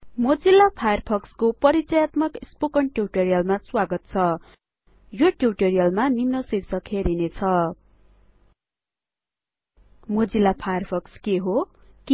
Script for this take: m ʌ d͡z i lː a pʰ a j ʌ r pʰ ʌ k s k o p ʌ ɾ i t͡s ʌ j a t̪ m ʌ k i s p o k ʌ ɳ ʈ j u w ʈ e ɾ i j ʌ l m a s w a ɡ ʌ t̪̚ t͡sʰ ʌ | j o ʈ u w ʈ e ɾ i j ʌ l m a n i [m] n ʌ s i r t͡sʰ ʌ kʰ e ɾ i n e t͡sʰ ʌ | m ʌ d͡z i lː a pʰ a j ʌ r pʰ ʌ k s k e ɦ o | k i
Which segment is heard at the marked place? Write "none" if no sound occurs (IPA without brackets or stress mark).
m